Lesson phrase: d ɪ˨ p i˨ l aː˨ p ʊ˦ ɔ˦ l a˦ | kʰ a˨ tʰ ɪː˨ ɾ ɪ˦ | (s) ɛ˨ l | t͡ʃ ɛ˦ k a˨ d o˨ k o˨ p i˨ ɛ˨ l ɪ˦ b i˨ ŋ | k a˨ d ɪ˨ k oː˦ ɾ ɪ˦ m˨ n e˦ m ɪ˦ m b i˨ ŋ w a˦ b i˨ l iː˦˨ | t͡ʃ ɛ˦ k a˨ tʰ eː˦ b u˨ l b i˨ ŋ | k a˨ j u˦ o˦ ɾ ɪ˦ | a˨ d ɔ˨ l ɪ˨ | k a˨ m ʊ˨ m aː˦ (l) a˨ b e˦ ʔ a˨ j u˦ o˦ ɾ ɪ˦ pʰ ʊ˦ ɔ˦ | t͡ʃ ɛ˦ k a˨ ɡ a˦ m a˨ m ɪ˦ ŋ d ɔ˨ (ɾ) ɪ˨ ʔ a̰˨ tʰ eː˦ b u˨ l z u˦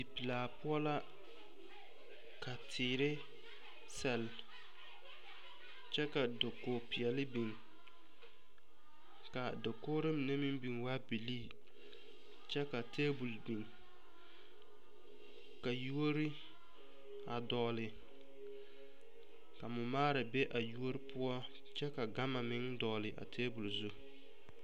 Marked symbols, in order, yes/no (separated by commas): yes, no, no